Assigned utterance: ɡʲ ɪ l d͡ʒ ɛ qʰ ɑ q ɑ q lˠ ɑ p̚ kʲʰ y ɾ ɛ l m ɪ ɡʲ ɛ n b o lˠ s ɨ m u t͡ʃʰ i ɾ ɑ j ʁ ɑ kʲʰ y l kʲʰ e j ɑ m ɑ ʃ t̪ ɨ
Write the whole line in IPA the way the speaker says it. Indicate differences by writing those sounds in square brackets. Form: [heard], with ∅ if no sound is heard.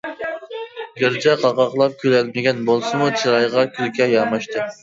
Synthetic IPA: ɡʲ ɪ [ɾ] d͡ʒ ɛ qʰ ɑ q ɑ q lˠ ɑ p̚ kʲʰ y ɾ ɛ l m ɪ ɡʲ ɛ n b o lˠ s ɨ m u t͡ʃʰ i ɾ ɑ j ʁ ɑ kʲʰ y l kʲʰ [ɛ] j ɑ m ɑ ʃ t̪ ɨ